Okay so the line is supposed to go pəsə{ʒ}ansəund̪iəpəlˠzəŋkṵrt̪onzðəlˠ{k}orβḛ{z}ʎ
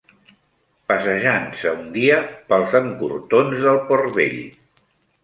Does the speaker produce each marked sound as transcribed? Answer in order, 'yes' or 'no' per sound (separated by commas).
yes, no, no